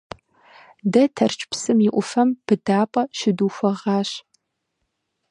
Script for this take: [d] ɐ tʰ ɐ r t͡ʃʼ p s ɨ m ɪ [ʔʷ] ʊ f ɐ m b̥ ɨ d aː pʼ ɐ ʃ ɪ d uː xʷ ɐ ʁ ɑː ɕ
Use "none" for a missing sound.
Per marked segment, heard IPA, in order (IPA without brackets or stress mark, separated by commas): d, ʔʷ